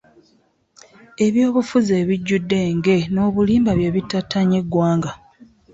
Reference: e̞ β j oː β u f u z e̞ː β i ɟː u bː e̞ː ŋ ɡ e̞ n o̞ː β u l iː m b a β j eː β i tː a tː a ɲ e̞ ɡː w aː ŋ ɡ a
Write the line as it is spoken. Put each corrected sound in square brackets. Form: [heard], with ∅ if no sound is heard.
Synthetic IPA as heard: e̞ β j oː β u f u z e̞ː β i ɟː u [dː] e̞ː ŋ ɡ e̞ n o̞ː β u l iː m b a β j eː β i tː a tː a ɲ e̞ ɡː w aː ŋ ɡ a